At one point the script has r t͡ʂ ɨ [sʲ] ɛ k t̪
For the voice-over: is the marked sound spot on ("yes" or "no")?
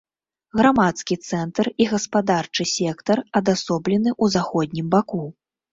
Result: yes